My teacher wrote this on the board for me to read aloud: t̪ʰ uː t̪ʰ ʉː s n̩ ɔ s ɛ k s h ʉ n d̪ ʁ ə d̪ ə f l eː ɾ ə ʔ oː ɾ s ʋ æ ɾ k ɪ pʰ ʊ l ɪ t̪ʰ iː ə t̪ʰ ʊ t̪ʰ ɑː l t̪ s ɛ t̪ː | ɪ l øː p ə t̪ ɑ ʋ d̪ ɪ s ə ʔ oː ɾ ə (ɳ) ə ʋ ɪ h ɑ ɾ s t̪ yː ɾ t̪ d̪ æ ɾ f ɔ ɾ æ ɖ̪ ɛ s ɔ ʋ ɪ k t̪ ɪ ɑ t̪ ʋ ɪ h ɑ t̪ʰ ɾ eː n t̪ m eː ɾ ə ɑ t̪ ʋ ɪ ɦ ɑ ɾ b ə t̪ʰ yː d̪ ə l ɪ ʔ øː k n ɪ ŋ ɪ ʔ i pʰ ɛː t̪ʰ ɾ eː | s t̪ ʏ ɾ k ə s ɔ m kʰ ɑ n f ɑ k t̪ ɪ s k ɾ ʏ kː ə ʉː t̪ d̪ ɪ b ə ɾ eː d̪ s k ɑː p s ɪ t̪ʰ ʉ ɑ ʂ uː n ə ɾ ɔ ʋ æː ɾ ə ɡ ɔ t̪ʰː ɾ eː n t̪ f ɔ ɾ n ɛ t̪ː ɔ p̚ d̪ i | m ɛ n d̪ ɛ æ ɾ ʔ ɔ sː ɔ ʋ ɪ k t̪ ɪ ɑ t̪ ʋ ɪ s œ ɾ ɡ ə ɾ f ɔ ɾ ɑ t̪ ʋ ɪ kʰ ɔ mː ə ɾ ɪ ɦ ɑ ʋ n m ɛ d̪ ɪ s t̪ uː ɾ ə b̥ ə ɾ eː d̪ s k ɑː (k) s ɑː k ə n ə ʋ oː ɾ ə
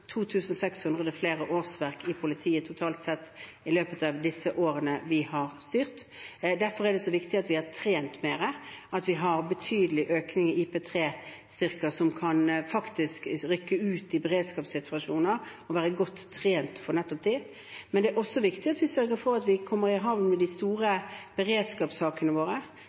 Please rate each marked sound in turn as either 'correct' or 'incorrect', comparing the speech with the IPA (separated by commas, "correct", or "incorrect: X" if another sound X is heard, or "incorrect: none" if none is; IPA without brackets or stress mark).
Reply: incorrect: n, incorrect: p